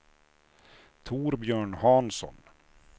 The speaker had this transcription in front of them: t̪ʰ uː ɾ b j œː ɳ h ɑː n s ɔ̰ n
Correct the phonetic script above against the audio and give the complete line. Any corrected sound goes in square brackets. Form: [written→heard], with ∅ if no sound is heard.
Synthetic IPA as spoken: t̪ʰ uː ɾ b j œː ɳ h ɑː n s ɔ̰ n